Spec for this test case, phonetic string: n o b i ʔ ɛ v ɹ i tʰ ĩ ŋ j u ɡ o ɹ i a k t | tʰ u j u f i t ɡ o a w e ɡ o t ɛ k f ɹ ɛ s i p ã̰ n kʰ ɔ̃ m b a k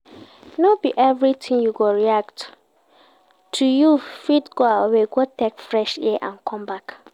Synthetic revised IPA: n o b i ʔ ɛ v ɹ i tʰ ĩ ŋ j u ɡ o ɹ i a k t | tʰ u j u f i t ɡ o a w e ɡ o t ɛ k f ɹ ɛ ʃ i ʔ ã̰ n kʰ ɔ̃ m b a k